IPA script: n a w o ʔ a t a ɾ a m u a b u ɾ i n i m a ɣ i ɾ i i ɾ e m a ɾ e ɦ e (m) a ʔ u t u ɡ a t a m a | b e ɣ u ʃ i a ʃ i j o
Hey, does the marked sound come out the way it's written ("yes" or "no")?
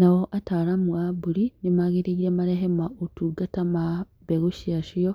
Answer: yes